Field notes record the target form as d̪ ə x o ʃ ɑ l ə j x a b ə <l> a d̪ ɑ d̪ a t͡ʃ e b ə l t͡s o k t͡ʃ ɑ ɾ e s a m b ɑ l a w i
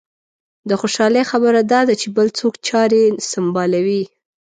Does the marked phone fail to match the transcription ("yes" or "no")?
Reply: yes